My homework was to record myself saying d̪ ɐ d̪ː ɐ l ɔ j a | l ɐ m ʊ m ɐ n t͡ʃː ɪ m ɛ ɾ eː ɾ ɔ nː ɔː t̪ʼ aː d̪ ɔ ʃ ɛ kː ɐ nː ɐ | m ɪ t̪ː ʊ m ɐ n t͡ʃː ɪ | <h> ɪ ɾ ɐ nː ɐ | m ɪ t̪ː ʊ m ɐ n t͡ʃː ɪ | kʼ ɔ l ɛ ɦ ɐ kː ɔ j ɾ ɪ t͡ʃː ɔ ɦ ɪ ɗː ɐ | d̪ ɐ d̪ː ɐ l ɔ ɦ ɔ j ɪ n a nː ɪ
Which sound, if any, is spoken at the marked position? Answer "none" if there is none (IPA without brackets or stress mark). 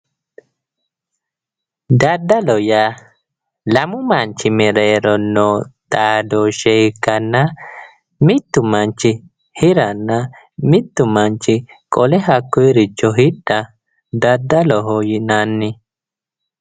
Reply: h